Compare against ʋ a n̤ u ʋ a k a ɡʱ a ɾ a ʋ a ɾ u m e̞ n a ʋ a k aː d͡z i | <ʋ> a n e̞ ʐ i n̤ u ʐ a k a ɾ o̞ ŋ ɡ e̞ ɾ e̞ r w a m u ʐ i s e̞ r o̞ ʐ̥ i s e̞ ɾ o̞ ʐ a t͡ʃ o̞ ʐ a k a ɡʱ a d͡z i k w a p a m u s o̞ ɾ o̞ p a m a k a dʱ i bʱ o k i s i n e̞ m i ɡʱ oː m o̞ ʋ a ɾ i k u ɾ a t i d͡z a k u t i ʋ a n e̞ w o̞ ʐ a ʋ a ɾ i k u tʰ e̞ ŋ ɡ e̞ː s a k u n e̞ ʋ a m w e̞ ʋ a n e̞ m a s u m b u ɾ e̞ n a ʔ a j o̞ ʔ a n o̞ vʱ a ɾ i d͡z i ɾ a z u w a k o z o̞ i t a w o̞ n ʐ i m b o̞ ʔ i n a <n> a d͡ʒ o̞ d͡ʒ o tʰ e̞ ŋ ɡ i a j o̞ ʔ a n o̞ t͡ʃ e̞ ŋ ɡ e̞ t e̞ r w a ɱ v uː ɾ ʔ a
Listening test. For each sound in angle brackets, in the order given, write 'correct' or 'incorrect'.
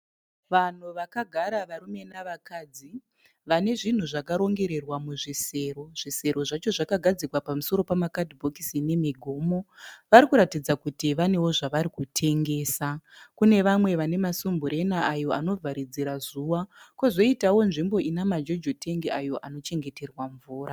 correct, incorrect

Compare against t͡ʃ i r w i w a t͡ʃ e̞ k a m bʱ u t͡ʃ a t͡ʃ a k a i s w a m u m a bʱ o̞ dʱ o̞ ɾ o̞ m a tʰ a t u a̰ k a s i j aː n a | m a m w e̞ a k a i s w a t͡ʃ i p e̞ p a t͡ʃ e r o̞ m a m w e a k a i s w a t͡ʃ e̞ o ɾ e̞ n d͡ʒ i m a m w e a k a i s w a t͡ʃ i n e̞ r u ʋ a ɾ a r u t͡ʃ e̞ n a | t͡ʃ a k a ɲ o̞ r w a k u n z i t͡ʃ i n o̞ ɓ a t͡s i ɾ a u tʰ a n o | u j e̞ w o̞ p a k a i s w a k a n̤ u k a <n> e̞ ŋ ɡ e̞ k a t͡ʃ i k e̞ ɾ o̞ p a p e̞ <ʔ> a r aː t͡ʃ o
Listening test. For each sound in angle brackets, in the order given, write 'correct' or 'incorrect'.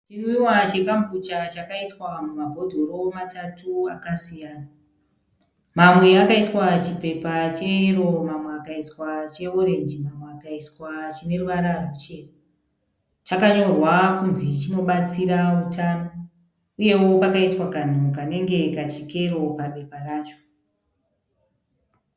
correct, incorrect

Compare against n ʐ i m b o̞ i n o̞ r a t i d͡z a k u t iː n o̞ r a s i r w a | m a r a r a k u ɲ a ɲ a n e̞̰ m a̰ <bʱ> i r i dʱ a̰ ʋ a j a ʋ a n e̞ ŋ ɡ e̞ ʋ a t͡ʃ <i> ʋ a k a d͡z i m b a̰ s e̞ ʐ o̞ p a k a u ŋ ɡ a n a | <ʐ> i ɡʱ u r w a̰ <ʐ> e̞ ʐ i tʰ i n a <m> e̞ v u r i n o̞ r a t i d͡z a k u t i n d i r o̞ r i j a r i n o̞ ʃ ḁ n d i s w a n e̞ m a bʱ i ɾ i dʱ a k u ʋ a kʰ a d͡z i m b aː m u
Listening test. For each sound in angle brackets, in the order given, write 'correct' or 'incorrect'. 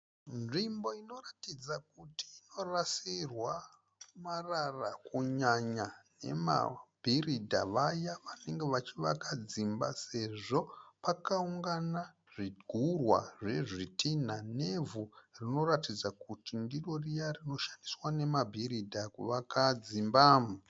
correct, correct, correct, correct, incorrect

